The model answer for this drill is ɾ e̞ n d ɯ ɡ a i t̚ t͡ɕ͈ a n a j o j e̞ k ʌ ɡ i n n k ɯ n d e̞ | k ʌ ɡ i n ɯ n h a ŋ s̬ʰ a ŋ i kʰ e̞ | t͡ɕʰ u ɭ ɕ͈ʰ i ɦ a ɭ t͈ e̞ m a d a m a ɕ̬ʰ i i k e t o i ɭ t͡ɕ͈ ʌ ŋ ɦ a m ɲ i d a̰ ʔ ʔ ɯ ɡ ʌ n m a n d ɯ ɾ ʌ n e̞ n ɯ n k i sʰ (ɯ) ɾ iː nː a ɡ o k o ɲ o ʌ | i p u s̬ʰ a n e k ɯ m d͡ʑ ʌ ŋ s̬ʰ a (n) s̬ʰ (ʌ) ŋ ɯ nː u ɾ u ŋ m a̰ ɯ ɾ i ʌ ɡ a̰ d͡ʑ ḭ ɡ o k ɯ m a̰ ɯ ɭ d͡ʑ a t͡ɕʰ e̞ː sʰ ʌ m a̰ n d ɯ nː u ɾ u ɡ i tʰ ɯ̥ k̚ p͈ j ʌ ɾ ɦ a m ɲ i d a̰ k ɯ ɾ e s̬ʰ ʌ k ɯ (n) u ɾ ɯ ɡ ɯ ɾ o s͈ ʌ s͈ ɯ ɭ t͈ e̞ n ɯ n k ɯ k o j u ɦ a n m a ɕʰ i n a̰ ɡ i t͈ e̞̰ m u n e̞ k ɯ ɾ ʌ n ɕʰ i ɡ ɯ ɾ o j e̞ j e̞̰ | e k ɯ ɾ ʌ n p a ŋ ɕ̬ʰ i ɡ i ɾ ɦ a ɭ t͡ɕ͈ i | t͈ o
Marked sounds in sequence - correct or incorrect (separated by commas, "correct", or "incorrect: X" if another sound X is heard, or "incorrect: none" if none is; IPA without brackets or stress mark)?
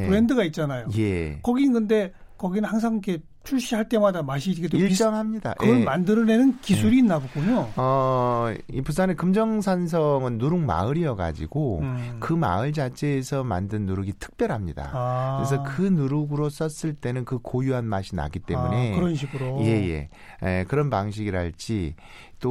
incorrect: u, correct, correct, correct